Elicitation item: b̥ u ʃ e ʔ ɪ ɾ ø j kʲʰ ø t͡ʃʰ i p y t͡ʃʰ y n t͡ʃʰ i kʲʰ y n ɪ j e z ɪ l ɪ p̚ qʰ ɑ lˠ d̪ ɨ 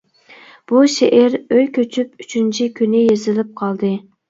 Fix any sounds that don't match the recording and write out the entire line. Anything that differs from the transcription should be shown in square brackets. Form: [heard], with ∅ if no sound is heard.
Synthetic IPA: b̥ u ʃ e ʔ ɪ ɾ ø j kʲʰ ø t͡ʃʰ [y] p y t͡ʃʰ y n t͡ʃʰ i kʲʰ y n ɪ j e z ɪ l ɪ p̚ qʰ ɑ lˠ d̪ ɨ